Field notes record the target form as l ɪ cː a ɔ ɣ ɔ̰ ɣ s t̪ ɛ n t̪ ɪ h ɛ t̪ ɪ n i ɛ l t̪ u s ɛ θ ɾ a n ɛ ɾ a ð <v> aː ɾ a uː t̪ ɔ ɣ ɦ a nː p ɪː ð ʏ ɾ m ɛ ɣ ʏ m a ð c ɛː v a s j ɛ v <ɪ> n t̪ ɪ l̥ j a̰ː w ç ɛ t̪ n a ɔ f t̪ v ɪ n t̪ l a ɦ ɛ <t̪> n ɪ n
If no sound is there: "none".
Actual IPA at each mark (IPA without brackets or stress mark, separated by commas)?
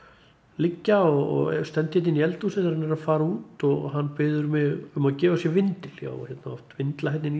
f, ɪ, t̪